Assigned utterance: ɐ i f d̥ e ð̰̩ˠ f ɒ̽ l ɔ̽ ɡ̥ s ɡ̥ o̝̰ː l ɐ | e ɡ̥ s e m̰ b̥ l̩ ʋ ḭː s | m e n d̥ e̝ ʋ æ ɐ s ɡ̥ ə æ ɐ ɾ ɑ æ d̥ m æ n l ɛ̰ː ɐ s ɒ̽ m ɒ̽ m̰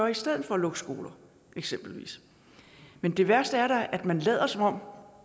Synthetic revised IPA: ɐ i s d̥ e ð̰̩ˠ f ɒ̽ l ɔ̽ ɡ̥ s ɡ̥ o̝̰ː l ɐ | e ɡ̥ s e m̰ b̥ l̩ ʋ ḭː s | m e n d̥ e̝ ʋ æ ɐ s d̥ ə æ ɐ ɾ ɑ æ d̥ m æ n l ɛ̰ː ɐ s ɒ̽ m ɒ̽ m̰